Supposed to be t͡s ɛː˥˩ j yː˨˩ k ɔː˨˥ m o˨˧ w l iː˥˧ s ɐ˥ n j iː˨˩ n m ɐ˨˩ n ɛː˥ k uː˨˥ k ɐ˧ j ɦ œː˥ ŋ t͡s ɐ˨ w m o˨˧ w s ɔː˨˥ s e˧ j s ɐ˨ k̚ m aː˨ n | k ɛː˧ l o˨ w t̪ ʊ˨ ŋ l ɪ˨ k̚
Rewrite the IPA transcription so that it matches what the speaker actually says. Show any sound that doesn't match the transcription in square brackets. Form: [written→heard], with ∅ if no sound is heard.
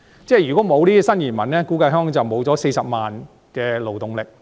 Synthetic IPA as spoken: t͡s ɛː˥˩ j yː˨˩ k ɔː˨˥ m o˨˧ w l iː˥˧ s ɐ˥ n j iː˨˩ n m ɐ˨˩ n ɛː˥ k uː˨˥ k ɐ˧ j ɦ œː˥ ŋ t͡s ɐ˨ w m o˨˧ w [s→t͡s] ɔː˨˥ s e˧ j s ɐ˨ [k̚→p̚] m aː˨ n | k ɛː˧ l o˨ w t̪ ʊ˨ ŋ l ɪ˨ k̚